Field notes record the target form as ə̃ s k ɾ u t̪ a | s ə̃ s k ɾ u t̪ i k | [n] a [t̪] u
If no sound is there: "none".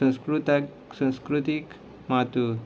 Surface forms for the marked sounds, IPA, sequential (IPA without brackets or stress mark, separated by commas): m, t̪